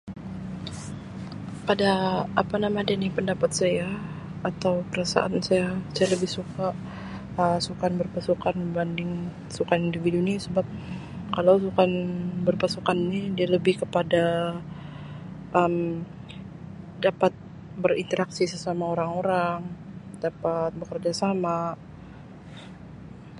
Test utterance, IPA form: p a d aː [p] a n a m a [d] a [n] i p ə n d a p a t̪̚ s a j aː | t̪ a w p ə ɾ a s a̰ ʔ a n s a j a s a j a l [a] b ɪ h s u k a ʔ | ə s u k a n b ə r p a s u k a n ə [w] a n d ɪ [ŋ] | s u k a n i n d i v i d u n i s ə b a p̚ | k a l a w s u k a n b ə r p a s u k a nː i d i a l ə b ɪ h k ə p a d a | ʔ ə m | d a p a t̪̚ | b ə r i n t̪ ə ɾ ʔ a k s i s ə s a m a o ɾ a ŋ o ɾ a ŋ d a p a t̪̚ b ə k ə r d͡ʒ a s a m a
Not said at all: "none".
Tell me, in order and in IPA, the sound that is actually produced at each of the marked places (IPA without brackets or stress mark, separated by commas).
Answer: p, d, n, ə, b, ŋ